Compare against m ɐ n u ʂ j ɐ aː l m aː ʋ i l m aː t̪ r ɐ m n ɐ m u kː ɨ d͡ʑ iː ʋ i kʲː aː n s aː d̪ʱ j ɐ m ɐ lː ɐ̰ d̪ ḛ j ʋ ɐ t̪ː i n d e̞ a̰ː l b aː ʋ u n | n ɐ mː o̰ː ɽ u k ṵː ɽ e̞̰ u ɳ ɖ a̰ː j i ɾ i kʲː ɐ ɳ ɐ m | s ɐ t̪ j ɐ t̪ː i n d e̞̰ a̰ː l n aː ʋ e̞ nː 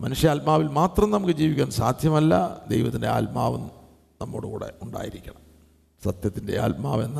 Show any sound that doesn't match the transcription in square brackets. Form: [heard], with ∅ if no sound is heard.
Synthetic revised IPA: m ɐ n u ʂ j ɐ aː l m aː ʋ i l m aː t̪ r ɐ m n ɐ m u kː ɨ d͡ʑ iː ʋ i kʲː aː n s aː d̪ʱ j ɐ m ɐ lː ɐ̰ d̪ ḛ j ʋ ɐ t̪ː i n d e̞ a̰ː l [m] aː ʋ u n | n ɐ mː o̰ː ɽ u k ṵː ɽ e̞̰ u ɳ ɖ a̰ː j i ɾ i kʲː ɐ ɳ ɐ m | s ɐ t̪ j ɐ t̪ː i n d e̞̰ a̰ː l [m] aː ʋ e̞ nː